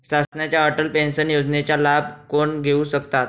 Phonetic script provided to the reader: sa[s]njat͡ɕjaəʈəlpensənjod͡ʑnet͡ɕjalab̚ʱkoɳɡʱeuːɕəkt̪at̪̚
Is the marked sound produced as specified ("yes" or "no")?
yes